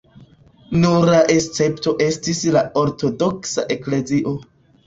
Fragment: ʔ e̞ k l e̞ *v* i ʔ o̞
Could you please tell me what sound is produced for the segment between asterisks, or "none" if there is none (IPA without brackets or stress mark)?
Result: z